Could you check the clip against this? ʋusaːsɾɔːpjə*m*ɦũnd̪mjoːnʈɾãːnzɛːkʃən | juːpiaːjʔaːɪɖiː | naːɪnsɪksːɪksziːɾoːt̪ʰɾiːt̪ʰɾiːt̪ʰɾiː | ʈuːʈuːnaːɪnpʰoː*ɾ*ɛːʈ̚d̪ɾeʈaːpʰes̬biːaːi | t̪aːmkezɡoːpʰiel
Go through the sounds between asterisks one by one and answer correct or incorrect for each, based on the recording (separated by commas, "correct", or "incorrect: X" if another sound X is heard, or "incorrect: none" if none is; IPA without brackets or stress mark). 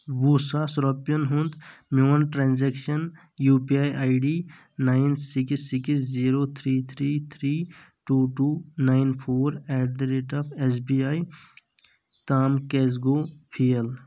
incorrect: n, correct